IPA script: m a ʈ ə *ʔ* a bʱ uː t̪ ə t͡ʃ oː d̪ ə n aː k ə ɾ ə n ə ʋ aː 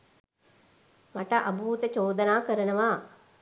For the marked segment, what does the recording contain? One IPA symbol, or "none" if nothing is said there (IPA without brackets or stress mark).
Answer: ʔ